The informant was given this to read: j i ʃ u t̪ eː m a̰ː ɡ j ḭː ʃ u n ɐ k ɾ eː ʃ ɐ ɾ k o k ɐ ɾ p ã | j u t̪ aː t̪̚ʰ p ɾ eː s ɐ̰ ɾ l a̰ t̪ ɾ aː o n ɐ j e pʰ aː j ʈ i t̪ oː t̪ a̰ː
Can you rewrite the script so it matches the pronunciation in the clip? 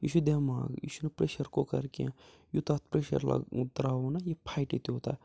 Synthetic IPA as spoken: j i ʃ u d̪ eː m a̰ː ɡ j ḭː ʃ u n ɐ p ɾ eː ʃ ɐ ɾ k o k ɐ ɾ k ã | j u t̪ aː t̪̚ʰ p ɾ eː ʃ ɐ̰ ɾ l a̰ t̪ ɾ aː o n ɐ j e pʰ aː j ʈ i t̪ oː t̪ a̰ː